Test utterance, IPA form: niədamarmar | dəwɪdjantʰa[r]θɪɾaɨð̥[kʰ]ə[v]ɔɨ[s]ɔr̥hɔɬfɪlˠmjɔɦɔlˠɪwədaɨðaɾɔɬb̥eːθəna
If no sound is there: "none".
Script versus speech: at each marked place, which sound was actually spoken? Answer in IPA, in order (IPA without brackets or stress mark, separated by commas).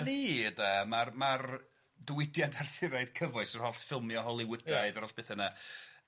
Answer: r, kʰ, v, s